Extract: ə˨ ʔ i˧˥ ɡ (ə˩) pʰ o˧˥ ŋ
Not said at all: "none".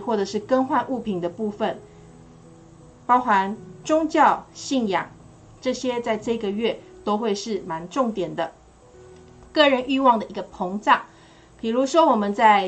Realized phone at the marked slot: ə˧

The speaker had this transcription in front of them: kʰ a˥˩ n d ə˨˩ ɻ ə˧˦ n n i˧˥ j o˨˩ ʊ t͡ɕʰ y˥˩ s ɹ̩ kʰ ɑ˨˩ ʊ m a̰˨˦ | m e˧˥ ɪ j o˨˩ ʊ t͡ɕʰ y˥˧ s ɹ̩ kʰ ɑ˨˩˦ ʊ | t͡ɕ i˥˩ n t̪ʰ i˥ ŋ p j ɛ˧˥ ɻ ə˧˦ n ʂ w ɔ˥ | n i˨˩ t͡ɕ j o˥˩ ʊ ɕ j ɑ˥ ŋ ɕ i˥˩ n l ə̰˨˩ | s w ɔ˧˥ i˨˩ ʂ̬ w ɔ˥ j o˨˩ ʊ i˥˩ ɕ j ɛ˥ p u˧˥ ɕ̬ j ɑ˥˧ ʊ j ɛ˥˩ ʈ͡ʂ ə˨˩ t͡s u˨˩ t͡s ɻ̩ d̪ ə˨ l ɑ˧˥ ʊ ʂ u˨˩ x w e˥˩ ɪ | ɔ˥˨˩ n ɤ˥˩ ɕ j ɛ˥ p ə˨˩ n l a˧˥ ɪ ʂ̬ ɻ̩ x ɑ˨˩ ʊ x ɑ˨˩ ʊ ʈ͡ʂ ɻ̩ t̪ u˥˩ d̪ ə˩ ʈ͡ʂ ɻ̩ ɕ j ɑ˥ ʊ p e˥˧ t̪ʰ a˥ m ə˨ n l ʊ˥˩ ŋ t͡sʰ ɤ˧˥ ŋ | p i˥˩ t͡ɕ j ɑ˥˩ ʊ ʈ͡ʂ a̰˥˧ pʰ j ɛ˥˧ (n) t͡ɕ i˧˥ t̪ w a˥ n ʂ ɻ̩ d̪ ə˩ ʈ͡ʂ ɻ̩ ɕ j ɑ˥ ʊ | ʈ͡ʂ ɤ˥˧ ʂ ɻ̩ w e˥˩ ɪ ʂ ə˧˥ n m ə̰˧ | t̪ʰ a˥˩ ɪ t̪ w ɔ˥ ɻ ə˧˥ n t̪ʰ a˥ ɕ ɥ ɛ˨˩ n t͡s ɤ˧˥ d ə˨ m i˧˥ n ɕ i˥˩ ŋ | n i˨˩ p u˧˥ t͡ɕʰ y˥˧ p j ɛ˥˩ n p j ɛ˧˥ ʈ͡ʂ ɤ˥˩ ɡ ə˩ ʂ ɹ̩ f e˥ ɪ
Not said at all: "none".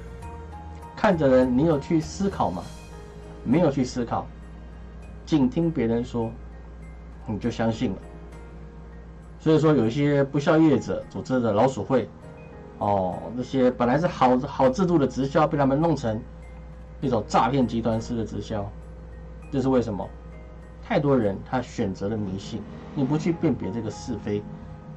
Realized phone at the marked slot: n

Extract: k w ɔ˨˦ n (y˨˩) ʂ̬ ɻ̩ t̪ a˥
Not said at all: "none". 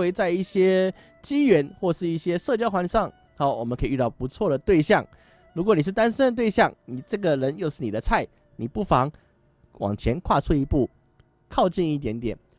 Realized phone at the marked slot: i˨˩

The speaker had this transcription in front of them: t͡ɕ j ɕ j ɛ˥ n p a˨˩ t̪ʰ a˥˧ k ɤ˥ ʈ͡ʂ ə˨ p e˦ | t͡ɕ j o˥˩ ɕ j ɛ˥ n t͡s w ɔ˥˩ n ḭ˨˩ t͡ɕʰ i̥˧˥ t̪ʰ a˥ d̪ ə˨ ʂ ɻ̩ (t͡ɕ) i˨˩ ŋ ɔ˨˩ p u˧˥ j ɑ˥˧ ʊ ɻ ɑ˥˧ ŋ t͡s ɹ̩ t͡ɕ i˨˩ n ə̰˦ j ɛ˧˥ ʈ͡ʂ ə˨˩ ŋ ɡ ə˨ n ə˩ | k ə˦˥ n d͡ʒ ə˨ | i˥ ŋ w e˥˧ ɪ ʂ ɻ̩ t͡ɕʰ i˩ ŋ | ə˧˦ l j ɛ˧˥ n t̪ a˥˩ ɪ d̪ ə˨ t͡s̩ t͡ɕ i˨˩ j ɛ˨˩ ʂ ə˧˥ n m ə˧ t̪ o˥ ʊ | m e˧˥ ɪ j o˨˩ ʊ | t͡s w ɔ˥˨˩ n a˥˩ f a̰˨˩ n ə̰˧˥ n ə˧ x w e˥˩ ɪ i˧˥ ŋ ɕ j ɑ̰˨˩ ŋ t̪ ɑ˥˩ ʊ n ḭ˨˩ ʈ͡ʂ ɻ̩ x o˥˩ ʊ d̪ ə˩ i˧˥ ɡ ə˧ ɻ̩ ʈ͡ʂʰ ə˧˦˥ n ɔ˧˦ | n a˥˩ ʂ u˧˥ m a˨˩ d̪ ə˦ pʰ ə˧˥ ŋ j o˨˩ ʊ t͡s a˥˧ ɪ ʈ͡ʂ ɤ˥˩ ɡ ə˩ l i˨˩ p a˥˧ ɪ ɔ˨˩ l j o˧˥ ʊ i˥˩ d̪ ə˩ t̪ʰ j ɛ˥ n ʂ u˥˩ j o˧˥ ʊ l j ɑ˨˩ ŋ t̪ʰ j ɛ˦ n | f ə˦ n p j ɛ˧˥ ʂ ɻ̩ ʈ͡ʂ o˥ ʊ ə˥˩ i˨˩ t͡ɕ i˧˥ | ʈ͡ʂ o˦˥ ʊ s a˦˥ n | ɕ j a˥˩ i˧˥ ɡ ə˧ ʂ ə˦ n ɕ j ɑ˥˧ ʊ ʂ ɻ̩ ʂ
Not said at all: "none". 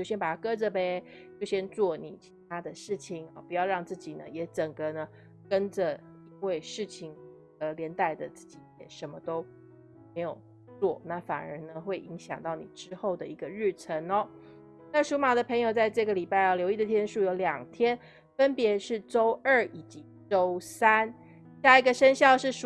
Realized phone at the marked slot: t͡ɕʰ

